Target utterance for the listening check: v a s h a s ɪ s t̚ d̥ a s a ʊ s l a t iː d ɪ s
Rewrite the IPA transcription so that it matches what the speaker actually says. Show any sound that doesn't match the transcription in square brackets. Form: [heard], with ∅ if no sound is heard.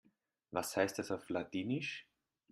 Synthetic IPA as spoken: v a s h a [∅] ɪ s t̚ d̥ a s a ʊ [f] l a t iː [n] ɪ [ʃ]